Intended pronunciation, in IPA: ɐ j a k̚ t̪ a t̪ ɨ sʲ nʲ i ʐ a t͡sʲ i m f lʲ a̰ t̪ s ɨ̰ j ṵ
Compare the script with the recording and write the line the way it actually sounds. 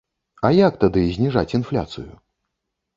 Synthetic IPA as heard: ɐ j a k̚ t̪ a d̪ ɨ zʲ nʲ i ʐ a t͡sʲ i n f lʲ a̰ t̪ s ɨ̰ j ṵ